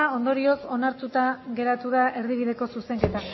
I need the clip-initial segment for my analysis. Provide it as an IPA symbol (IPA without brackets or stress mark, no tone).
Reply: o̞